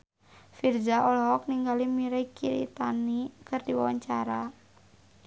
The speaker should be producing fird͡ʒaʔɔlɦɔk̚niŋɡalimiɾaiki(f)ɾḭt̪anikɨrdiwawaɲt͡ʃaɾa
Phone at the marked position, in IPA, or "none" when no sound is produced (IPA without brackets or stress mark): none